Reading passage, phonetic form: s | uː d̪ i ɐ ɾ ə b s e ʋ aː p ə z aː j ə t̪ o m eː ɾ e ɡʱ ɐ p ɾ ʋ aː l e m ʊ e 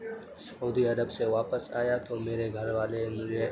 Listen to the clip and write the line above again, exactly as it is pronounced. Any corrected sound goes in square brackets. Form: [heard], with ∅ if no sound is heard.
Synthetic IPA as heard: s | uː d̪ i ɐ ɾ ə b s e ʋ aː p ə [s] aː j [a] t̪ o m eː ɾ e ɡʱ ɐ [∅] ɾ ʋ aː l e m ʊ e